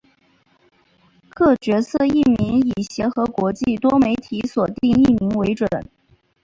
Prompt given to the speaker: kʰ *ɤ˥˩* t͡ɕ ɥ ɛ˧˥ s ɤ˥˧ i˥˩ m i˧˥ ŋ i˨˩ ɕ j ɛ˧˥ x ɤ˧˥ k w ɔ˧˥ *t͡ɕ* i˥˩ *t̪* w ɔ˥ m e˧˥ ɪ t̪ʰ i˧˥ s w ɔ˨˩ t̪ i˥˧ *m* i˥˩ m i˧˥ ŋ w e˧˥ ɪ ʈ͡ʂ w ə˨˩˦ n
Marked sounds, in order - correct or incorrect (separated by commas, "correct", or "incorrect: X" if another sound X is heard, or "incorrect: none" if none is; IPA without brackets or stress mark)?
correct, correct, correct, incorrect: ŋ